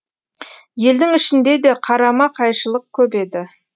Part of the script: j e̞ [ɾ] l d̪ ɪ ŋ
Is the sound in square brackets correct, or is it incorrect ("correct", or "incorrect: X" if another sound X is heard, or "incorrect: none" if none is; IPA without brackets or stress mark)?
incorrect: none